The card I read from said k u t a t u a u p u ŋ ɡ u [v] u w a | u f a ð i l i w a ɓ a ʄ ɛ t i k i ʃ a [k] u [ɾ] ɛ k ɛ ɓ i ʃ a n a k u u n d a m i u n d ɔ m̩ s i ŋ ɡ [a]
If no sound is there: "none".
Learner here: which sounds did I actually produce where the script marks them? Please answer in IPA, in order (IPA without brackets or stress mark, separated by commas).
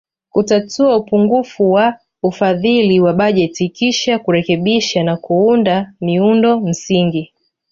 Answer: f, k, ɾ, i